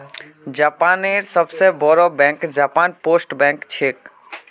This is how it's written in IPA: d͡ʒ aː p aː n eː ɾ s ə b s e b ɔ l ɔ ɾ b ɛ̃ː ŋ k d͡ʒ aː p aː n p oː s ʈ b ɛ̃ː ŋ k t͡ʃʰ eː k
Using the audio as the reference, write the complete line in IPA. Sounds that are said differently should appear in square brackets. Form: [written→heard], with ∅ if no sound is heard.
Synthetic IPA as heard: d͡ʒ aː p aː n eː ɾ s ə b s e b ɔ [l→ɾ] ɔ [ɾ→∅] b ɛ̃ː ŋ k d͡ʒ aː p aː n p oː s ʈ b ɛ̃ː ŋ k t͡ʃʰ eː k